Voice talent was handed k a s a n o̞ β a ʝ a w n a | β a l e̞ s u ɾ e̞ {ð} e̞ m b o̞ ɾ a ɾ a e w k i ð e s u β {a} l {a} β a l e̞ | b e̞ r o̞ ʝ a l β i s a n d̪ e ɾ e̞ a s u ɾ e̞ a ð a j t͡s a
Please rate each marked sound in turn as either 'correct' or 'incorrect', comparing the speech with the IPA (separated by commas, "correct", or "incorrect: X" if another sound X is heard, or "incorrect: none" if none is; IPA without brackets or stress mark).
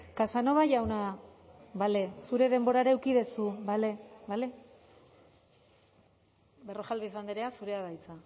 correct, correct, incorrect: e